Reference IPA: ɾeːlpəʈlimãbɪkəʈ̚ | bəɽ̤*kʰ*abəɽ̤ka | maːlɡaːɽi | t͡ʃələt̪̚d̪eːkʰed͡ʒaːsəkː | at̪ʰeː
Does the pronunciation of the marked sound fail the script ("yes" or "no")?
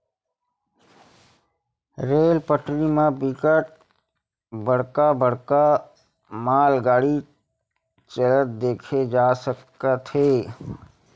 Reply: yes